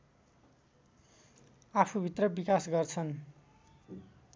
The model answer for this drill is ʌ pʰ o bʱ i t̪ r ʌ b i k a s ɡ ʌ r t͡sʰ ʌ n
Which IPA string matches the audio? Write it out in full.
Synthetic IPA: a pʰ u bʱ i t̪ r ʌ b i k a s ɡ ʌ r t͡sʰ ʌ n